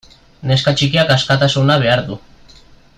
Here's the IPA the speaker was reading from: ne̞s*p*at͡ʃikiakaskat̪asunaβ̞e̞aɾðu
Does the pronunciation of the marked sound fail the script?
yes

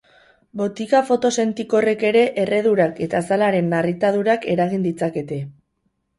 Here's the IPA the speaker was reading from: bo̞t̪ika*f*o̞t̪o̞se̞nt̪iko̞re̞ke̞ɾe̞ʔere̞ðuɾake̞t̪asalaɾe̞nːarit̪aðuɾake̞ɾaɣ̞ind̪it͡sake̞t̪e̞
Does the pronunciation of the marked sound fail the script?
no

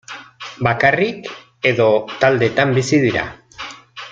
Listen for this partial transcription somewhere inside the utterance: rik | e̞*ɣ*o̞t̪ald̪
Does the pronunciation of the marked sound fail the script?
yes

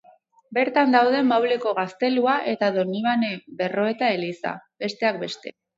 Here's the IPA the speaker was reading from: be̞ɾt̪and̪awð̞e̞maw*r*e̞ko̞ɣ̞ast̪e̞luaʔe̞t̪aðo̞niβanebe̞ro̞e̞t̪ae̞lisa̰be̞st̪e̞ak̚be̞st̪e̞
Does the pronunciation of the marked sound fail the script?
yes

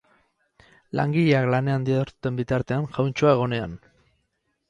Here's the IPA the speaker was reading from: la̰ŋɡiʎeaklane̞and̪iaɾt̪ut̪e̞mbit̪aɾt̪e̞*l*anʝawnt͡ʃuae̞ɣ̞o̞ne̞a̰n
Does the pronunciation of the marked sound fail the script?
yes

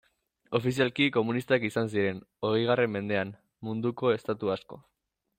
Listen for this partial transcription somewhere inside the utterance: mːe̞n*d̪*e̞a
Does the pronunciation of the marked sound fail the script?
no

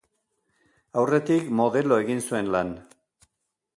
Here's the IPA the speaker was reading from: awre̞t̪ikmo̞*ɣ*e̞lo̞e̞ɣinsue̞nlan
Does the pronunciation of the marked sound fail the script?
yes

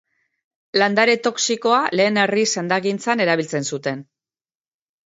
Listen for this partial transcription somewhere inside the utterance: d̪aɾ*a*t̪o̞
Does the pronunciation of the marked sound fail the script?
yes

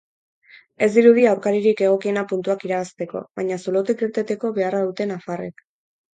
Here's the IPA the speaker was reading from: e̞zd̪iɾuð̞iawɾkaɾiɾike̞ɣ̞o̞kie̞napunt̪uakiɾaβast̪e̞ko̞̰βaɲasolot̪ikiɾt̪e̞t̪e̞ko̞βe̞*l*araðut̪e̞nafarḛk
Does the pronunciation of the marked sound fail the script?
yes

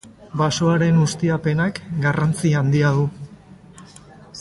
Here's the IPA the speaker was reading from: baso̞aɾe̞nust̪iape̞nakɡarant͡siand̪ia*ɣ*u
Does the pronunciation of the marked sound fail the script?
yes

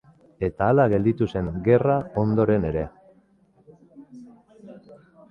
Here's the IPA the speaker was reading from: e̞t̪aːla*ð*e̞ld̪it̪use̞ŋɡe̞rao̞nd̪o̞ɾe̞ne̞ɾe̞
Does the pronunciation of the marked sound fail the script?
yes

